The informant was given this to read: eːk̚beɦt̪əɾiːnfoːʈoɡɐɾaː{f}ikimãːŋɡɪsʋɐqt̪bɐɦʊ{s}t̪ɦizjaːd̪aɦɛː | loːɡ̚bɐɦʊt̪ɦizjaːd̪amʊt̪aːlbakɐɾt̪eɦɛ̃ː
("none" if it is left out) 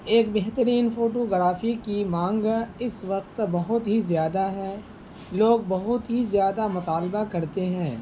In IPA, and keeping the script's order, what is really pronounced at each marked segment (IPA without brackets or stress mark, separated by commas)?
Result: f, none